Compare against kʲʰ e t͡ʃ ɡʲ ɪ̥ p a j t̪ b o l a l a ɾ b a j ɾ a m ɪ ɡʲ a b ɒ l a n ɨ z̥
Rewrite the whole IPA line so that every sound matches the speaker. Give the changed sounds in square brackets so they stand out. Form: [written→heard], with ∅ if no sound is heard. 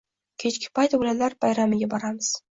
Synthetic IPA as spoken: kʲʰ e t͡ʃ [ɡʲ→kʲ] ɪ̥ p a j t̪ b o l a l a ɾ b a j ɾ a m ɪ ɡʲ a b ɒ [l→ɾ] a [n→m] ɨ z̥